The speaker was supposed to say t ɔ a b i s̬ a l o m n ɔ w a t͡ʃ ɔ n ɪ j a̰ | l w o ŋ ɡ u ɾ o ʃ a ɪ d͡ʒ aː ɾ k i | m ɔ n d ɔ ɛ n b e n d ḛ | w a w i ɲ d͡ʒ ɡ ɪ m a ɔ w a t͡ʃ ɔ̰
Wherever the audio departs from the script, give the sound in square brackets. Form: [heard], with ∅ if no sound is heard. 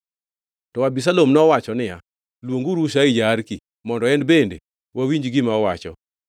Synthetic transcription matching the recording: t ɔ a b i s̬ a l o m n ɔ w a t͡ʃ ɔ n ɪ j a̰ | l w o ŋ ɡ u ɾ [u] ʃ a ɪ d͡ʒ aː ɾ k i | m ɔ n d ɔ ɛ n b e n d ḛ | w a w i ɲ d͡ʒ ɡ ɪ m a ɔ w a t͡ʃ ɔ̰